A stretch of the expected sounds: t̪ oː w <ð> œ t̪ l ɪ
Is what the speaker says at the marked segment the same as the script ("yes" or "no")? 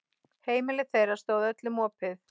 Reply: yes